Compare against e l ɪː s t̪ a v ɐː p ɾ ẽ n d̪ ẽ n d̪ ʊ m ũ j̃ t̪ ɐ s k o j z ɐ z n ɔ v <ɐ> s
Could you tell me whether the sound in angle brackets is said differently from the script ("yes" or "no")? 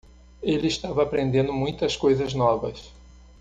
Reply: no